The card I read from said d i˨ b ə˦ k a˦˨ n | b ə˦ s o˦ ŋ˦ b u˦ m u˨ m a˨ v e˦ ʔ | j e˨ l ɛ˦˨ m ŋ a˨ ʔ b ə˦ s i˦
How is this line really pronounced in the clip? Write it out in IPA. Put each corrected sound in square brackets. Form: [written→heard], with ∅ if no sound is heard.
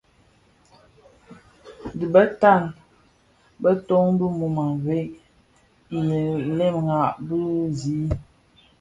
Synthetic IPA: d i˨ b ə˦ [k→t] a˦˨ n | b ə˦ [s→t] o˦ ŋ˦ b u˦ m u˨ m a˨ v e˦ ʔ | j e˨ l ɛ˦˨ m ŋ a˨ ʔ b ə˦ [s→z] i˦